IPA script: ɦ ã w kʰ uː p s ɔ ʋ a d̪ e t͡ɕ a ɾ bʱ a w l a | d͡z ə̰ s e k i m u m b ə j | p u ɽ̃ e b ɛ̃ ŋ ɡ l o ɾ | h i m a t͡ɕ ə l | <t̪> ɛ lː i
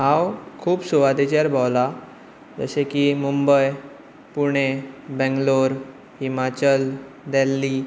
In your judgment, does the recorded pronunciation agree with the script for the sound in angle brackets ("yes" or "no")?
no